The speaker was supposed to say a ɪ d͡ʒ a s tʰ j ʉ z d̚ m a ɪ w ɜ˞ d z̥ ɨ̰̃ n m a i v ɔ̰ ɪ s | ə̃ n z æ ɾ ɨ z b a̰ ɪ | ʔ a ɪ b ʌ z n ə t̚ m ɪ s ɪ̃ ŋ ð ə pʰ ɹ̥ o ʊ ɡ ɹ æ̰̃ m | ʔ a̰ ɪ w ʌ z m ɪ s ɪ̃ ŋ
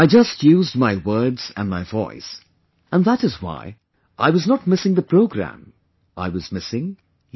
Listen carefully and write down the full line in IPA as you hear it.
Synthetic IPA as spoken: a ɪ d͡ʒ ʌ s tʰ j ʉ z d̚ m a ɪ w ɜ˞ d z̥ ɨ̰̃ n m a ɪ v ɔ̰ ɪ s | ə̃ n ð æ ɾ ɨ z w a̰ ɪ | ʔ a ɪ w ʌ z n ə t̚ m ɪ s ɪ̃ ŋ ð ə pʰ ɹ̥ o ʊ ɡ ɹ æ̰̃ m | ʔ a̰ ɪ w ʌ z m ɪ s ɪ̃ ŋ